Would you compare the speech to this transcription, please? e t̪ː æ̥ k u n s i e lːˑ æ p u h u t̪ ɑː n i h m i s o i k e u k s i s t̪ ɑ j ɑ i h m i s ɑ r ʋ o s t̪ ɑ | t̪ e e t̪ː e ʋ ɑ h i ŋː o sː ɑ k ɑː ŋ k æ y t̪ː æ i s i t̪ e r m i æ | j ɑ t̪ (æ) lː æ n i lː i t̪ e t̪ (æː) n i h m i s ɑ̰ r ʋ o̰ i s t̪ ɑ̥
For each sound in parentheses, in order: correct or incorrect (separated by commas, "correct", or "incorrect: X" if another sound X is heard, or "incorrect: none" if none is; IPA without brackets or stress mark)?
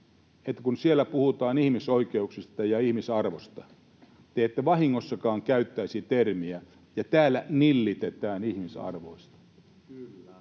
incorrect: æː, correct